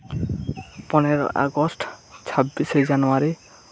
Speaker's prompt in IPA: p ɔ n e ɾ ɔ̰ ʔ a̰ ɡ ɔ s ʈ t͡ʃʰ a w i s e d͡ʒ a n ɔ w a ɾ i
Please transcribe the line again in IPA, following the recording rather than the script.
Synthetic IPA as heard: p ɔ n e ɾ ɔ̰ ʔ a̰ ɡ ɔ s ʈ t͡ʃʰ a b i s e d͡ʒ a n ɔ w a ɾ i